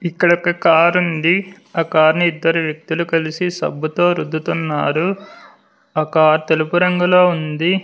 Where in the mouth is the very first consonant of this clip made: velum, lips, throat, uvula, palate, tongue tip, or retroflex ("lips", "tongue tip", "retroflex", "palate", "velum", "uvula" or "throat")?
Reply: velum